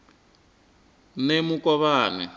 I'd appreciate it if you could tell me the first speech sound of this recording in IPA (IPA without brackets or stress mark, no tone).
n